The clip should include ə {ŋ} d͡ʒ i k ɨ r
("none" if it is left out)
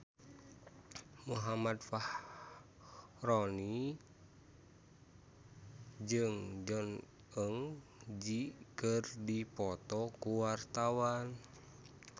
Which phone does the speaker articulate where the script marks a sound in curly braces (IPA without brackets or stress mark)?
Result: ŋ